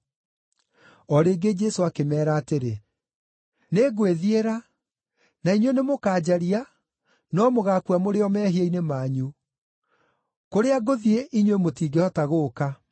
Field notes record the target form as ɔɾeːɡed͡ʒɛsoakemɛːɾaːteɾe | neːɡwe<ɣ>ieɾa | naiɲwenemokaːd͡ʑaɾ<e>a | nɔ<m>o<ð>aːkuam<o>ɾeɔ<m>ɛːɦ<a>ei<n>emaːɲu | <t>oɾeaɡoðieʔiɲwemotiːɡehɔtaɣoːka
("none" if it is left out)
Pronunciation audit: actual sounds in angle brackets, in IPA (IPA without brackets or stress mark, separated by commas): ð, i, m, ɣ, o, m, i, n, k